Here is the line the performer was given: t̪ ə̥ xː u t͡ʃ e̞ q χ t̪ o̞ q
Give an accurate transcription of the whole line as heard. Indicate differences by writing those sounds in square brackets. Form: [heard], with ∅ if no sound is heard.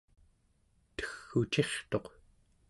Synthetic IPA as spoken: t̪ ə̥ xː u t͡ʃ e̞ [∅] χ t̪ o̞ q